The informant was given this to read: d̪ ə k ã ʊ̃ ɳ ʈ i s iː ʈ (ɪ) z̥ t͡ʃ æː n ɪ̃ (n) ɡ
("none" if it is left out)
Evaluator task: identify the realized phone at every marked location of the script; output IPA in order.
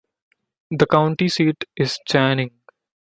ɪ, ŋ

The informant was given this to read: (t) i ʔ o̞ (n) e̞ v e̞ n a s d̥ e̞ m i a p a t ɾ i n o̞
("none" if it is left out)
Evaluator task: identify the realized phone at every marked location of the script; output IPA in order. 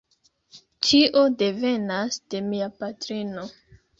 t͡ʃ, d

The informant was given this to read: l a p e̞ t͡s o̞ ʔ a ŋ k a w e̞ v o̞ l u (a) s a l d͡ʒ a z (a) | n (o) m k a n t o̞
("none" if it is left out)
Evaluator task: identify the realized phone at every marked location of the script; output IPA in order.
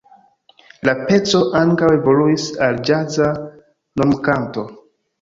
i, a, o

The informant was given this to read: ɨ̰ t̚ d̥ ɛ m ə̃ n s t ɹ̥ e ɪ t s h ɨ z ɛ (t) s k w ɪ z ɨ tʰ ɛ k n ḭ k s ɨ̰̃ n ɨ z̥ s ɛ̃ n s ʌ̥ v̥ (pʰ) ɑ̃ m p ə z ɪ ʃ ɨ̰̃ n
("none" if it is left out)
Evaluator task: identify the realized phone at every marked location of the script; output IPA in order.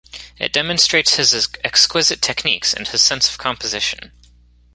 k, kʰ

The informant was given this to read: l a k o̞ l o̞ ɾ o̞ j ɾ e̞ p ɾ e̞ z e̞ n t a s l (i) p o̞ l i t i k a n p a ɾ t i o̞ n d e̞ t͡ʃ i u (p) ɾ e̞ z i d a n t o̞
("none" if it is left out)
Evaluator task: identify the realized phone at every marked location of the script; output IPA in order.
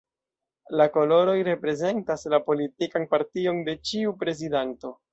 a, p

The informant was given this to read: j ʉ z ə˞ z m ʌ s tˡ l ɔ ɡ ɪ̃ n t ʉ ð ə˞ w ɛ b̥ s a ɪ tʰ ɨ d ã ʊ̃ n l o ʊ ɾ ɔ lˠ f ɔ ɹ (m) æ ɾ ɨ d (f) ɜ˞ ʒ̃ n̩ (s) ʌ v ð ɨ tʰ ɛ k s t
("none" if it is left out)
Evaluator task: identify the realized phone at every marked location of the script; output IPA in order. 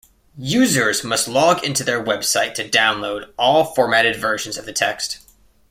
m, v, z

